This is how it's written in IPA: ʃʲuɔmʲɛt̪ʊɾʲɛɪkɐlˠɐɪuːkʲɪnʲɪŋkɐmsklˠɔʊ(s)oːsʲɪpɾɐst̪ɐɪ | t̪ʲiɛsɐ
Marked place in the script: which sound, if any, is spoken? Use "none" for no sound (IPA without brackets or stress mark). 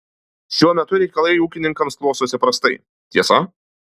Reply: s